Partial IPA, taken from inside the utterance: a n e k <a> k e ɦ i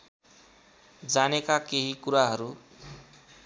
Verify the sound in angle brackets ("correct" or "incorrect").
correct